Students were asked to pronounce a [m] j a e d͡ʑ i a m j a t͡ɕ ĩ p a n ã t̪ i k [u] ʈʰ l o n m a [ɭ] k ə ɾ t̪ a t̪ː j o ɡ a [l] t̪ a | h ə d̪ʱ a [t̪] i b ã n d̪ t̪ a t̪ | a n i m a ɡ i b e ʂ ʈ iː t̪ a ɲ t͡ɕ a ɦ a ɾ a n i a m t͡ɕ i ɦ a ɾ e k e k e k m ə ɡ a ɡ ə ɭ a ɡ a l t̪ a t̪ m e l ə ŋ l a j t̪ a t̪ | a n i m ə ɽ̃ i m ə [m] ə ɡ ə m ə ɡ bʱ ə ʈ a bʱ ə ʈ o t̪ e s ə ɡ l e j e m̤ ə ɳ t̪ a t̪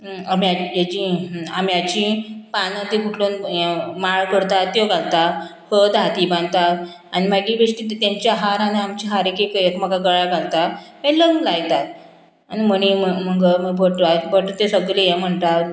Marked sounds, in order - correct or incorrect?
correct, correct, correct, correct, correct, correct

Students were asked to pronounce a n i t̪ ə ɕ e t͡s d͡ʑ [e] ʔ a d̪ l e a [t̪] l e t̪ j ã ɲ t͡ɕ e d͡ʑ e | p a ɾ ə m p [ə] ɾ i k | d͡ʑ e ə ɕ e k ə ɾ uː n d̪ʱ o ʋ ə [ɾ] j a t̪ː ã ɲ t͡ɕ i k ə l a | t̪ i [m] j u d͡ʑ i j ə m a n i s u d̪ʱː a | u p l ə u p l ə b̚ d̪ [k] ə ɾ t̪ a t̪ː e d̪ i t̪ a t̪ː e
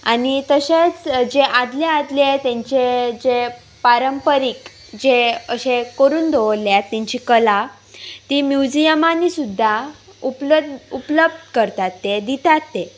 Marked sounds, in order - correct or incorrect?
correct, incorrect: d̪, correct, incorrect: l, correct, correct

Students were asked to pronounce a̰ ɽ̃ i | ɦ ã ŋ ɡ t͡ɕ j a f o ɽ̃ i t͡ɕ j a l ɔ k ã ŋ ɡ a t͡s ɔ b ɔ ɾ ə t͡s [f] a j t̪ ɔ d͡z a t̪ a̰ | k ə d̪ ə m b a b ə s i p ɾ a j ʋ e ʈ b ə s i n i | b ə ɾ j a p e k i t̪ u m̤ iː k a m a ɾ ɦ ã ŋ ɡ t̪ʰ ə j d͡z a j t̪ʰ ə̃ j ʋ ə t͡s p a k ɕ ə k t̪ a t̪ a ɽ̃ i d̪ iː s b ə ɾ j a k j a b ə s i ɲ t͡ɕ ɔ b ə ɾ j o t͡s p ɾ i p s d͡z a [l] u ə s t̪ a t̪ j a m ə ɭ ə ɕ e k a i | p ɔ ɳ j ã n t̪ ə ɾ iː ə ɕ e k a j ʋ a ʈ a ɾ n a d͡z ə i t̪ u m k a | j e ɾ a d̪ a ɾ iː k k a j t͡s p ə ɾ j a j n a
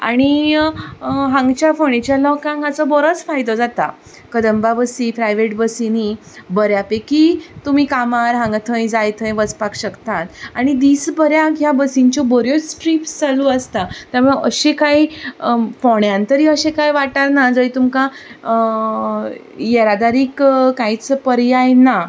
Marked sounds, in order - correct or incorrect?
correct, correct

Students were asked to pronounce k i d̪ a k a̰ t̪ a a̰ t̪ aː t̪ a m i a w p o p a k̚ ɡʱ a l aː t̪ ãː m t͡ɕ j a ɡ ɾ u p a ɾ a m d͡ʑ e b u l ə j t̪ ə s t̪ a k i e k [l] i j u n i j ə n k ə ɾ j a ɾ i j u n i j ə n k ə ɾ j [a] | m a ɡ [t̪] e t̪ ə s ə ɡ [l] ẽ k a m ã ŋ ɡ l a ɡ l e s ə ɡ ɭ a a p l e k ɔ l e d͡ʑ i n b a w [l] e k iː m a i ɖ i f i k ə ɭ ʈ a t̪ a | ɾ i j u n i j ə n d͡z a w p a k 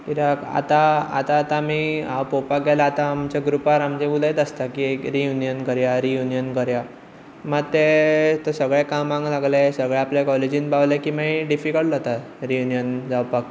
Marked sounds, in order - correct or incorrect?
incorrect: ɾ, correct, correct, incorrect: ɭ, correct

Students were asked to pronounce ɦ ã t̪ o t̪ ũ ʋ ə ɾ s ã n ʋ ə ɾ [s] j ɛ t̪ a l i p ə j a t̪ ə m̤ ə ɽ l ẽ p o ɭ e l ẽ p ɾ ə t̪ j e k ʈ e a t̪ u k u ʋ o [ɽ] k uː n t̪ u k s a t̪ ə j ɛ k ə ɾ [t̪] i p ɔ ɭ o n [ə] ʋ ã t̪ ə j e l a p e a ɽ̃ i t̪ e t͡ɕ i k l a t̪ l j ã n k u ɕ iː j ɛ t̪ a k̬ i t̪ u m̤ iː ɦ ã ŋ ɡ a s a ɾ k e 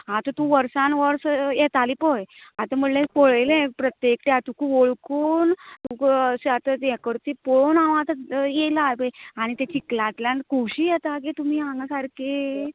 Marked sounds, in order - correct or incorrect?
correct, incorrect: ɭ, correct, incorrect: a

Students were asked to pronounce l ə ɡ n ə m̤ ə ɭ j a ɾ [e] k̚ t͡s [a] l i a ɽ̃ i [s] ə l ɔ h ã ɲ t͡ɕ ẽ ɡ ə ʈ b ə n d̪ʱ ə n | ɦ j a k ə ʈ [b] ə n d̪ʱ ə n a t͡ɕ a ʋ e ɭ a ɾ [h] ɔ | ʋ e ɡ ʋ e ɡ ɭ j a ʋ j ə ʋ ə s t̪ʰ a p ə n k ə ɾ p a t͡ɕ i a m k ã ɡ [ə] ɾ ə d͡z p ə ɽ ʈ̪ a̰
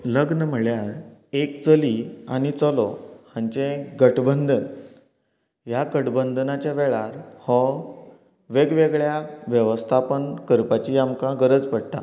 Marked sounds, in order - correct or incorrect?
correct, incorrect: ə, incorrect: t͡s, correct, correct, correct

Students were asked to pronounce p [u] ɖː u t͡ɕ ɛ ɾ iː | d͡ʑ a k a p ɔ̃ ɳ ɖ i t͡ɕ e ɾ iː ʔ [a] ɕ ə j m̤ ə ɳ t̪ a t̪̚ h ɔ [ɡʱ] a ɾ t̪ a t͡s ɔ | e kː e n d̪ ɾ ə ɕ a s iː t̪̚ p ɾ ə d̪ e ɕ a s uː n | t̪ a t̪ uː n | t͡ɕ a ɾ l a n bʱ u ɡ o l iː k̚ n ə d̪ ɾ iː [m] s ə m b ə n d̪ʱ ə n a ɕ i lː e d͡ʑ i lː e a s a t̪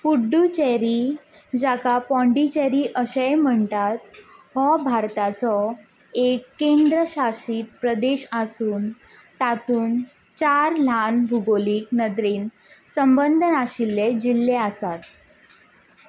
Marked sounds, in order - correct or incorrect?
correct, incorrect: ə, incorrect: bʱ, incorrect: n

